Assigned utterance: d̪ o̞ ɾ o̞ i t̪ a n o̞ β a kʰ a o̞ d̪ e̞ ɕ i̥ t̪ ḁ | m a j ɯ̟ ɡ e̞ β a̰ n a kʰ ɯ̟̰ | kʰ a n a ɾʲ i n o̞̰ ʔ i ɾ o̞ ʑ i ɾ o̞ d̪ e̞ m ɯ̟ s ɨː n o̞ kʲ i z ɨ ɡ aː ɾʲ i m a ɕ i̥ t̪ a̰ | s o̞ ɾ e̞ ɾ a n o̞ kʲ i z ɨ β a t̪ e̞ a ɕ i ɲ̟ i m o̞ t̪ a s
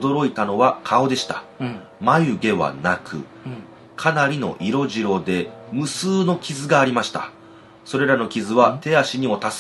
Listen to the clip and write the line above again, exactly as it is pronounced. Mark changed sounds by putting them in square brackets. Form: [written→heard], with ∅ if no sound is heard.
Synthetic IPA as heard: d̪ o̞ ɾ o̞ i t̪ a n o̞ β a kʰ a o̞ d̪ e̞ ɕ i̥ t̪ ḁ | m a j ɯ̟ ɡ e̞ β a̰ n a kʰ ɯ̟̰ | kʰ a n a ɾʲ i n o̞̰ ʔ i ɾ o̞ ʑ i ɾ o̞ d̪ e̞ m ɯ̟ s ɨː n o̞ kʲ i z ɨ ɡ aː ɾʲ i m a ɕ i̥ t̪ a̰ | s o̞ ɾ e̞ ɾ a n o̞ kʲ i z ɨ β a t̪ e̞ a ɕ i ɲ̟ i m o̞ t̪ a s

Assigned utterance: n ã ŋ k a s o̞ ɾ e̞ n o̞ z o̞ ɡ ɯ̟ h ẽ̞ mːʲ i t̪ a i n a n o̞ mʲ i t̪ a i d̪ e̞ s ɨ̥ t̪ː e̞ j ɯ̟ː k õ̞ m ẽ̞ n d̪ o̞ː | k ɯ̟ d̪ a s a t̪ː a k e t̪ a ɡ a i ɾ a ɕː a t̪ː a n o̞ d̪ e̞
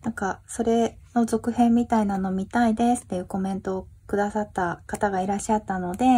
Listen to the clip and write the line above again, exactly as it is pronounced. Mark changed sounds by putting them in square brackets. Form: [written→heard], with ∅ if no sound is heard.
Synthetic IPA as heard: n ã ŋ k a s o̞ ɾ e̞ n o̞ z o̞ [ɡ→k] ɯ̟ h ẽ̞ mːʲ i t̪ a i n a n o̞ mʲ i t̪ a i d̪ e̞ s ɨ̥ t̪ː e̞ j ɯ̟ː k [õ̞→o̞] m ẽ̞ n [d̪→t̪] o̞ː | k ɯ̟ d̪ a s a t̪ː a k [e→a] t̪ a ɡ a i ɾ a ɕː a t̪ː a n o̞ d̪ e̞

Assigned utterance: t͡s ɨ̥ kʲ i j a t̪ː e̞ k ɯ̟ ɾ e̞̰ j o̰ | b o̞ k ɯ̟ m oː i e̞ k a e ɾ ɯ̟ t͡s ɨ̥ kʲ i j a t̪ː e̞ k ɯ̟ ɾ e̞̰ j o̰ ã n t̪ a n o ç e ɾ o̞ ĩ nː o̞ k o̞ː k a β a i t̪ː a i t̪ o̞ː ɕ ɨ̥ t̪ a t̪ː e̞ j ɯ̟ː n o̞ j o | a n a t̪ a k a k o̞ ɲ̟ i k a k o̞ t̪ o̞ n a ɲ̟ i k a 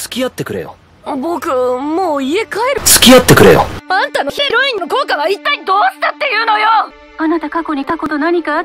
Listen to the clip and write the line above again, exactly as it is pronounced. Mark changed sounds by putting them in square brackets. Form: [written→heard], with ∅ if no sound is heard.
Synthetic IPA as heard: t͡s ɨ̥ kʲ i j a t̪ː e̞ k ɯ̟ ɾ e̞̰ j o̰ | b o̞ k ɯ̟ m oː i e̞ k a e ɾ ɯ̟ t͡s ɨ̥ kʲ i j a t̪ː e̞ k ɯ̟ ɾ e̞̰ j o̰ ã n t̪ a n o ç e ɾ o̞ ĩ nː o̞ k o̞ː k a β a i t̪ː a i [t̪→d̪] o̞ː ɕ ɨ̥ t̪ a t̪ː e̞ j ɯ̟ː n o̞ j o | a n a t̪ a k a k o̞ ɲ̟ i k a k o̞ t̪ o̞ n a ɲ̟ i k a

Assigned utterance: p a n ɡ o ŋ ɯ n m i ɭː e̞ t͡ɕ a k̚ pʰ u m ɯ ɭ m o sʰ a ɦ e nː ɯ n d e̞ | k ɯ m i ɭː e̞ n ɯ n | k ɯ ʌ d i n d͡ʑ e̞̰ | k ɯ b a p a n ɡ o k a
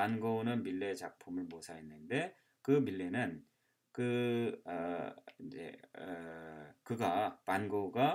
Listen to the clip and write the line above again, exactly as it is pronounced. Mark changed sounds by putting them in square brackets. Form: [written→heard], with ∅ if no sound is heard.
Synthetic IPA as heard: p a n ɡ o [ŋ→n] ɯ n m i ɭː e̞ t͡ɕ a k̚ pʰ u m ɯ ɭ m o sʰ a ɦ e nː ɯ n d e̞ | k ɯ m i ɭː e̞ n ɯ n | k ɯ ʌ [d→∅] i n d͡ʑ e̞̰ | k ɯ [b→ɡ] a p a n ɡ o [k→ɡ] a

